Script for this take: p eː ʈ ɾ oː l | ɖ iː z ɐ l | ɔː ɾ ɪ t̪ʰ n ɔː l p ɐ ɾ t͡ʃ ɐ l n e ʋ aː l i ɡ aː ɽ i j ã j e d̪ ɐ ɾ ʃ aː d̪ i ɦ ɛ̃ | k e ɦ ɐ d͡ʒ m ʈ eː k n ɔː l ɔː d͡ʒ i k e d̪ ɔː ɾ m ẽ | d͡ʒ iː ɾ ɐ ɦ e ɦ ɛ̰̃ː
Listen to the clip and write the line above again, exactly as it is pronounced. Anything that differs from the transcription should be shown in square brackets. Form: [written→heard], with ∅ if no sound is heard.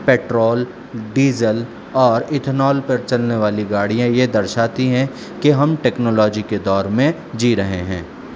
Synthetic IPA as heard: p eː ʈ ɾ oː l | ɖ iː z [ɐ→ə] l | ɔː ɾ ɪ t̪ʰ n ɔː l p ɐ ɾ t͡ʃ ɐ l n e ʋ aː l i ɡ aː ɽ i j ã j e d̪ ɐ ɾ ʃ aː [d̪→t̪] i ɦ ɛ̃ | k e ɦ ɐ [d͡ʒ→∅] m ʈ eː k n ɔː l ɔː d͡ʒ i k e d̪ ɔː ɾ m ẽ | d͡ʒ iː ɾ ɐ ɦ e ɦ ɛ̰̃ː